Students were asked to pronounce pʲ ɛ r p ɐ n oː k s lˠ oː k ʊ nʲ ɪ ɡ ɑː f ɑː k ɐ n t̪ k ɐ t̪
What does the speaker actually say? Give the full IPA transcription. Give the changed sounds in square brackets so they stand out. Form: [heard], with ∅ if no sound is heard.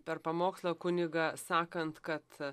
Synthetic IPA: pʲ ɛ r p ɐ [m] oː k s lˠ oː k ʊ nʲ ɪ ɡ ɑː [s] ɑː k ɐ n t̪ k ɐ t̪